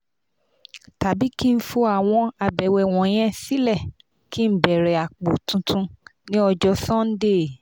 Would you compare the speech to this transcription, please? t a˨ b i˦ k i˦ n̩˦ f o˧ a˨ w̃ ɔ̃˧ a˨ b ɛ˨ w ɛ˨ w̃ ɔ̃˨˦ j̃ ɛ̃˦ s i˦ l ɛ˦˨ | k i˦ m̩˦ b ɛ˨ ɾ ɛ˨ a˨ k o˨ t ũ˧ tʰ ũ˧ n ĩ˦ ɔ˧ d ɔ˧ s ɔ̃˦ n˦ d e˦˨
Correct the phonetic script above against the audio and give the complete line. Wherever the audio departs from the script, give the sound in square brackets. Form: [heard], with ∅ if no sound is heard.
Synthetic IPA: t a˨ b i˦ k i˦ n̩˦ f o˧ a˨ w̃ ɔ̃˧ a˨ b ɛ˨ w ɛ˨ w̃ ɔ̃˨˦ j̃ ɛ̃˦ s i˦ l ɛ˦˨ | k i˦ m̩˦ b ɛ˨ ɾ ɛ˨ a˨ [k͡p] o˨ t ũ˧ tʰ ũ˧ n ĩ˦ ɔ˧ [d͡ʒ] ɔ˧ s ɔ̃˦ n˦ d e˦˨